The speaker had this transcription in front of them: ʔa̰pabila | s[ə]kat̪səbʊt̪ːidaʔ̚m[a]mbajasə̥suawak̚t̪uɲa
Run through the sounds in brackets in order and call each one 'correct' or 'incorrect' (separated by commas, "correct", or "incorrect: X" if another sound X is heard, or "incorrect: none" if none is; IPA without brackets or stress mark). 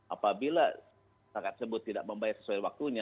incorrect: a, incorrect: ə